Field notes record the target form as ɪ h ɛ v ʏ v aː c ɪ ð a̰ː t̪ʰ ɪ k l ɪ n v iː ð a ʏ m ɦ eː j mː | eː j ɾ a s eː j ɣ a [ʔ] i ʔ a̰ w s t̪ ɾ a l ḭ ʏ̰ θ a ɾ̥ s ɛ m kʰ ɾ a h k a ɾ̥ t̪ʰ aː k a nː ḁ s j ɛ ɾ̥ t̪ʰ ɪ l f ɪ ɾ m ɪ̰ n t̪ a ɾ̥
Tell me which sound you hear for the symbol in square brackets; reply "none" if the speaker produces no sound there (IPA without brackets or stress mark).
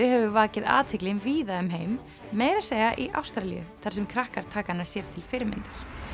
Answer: ʔ